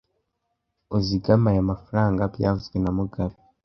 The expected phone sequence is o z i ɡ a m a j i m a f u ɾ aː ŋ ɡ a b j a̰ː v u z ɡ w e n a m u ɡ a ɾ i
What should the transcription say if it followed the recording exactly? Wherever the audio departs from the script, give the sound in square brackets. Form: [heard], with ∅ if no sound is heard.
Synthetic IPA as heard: o z i ɡ a m a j [a] m a f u ɾ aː ŋ ɡ a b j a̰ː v u z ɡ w e n a m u ɡ a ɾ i